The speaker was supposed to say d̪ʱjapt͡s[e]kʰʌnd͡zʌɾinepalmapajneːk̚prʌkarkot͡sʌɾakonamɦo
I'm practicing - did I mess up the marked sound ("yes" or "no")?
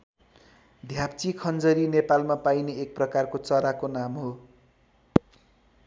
yes